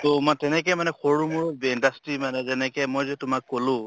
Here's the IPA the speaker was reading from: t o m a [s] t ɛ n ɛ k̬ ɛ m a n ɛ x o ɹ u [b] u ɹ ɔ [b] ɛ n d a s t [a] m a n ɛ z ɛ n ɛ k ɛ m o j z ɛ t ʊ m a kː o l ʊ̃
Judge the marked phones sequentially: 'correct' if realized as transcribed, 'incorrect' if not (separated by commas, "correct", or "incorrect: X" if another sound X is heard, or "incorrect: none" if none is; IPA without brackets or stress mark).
incorrect: none, incorrect: m, correct, incorrect: i